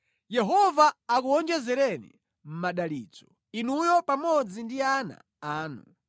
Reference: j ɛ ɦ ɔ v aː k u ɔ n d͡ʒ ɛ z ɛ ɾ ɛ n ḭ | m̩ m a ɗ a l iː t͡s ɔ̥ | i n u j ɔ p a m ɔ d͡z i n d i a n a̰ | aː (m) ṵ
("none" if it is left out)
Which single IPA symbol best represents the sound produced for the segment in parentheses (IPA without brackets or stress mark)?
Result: n